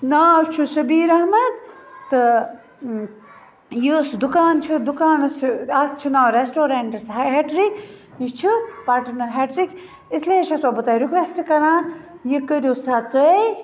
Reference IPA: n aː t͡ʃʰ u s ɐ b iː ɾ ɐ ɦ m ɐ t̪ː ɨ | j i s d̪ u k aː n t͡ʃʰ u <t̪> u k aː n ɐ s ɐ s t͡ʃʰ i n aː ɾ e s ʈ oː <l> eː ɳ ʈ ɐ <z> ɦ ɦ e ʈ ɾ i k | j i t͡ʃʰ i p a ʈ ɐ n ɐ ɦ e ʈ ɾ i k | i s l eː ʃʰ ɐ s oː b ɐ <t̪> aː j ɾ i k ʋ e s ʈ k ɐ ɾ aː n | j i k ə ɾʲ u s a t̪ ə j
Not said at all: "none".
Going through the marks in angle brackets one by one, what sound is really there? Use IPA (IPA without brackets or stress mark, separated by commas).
d̪, ɾ, s, t̪